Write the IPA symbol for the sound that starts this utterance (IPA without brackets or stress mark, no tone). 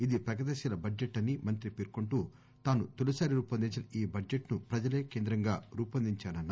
i